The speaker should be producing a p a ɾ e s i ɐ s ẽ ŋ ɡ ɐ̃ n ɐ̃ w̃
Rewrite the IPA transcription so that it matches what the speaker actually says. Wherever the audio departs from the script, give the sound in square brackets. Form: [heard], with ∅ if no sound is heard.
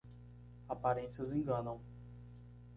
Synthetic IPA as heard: a p a ɾ [ẽ] s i ɐ [z] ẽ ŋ ɡ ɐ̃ n ɐ̃ w̃